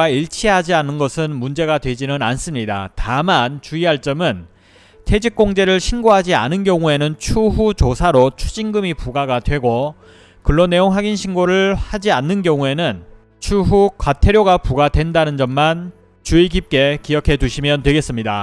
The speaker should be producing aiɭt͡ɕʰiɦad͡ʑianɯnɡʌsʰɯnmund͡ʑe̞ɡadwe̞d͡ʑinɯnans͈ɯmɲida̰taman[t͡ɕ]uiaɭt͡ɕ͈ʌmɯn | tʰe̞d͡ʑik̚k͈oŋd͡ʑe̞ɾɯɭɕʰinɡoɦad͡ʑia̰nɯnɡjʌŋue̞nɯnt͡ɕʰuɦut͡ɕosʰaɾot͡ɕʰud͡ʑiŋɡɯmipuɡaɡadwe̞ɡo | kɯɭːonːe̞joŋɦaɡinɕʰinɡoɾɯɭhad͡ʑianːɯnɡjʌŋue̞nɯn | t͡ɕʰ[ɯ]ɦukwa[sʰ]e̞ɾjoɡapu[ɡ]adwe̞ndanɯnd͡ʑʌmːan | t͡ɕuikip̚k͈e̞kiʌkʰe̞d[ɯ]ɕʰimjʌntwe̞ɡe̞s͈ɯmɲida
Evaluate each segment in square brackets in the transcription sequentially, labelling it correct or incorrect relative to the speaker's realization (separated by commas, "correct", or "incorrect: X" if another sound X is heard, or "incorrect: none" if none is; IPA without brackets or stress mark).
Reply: correct, incorrect: u, incorrect: tʰ, correct, incorrect: u